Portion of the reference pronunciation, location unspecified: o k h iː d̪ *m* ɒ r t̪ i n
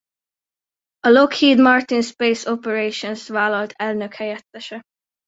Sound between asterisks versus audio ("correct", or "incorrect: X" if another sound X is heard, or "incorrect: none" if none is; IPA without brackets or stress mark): correct